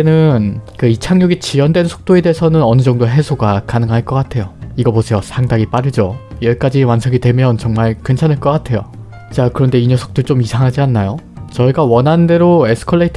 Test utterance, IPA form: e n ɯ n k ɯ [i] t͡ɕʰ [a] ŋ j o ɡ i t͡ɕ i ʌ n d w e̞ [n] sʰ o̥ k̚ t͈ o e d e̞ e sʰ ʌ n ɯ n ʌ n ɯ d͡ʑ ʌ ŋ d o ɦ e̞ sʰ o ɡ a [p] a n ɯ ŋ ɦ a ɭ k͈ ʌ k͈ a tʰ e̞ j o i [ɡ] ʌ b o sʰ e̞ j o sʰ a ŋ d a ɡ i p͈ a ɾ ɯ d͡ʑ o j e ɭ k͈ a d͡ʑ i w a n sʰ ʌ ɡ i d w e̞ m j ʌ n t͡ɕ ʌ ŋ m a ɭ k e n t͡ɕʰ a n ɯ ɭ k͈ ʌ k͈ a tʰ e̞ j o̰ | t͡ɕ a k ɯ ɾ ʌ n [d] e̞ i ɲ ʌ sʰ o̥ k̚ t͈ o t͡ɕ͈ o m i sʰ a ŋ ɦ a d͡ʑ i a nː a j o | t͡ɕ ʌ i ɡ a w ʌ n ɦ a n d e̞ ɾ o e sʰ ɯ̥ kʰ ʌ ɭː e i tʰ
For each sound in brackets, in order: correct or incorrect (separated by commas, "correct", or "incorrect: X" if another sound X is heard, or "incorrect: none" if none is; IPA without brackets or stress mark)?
correct, correct, correct, incorrect: k, correct, correct